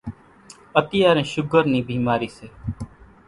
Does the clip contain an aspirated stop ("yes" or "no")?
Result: no